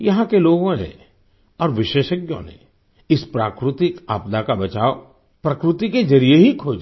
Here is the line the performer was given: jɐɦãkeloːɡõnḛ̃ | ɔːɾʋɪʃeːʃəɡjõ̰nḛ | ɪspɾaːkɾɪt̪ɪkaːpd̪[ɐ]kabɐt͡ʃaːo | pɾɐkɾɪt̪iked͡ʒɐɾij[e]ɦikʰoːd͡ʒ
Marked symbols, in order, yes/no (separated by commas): no, yes